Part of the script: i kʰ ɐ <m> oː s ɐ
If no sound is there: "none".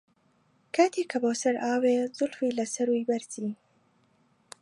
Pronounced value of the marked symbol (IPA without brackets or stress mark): b